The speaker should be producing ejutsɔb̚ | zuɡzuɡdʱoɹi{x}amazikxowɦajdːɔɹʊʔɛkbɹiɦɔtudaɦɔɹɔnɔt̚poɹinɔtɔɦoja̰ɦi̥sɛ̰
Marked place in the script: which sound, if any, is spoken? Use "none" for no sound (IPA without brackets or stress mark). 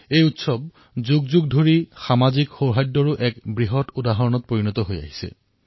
x